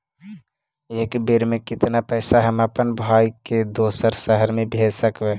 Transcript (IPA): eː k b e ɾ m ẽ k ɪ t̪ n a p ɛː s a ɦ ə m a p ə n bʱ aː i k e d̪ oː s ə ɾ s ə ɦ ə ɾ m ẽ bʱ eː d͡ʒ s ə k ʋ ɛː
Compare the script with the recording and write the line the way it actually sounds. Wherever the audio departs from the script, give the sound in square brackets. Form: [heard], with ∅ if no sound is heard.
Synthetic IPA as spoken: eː k b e ɾ m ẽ k ɪ t̪ n a p ɛː s a ɦ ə m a p ə n bʱ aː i k e d̪ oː s ə ɾ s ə ɦ ə ɾ m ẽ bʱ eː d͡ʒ s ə k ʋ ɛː